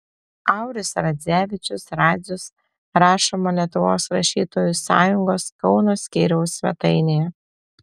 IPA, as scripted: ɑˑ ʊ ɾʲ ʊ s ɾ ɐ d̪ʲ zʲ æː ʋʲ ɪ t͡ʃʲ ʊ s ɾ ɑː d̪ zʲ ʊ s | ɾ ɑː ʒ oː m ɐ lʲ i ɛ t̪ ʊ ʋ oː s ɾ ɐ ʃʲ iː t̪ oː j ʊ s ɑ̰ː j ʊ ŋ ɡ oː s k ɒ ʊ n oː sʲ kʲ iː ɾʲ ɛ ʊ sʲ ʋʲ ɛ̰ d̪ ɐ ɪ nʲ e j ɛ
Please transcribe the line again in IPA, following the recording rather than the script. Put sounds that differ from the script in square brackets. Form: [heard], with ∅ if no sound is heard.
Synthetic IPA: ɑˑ ʊ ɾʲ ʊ s ɾ ɐ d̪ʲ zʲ æː ʋʲ ɪ t͡ʃʲ ʊ s ɾ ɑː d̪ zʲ ʊ s | ɾ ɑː [ʃ] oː m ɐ lʲ i ɛ t̪ ʊ ʋ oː s ɾ ɐ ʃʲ iː t̪ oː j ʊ s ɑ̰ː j ʊ ŋ ɡ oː s k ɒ ʊ n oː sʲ kʲ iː ɾʲ ɛ ʊ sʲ ʋʲ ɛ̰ [t̪] ɐ ɪ nʲ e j ɛ